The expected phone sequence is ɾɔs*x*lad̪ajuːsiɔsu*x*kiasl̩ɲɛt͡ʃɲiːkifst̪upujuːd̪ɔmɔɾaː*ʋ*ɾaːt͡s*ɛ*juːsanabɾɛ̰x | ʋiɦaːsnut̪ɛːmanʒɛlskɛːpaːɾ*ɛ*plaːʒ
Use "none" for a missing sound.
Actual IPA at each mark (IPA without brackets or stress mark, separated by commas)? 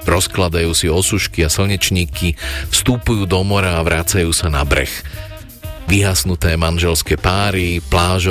k, ʃ, ʋ, a, i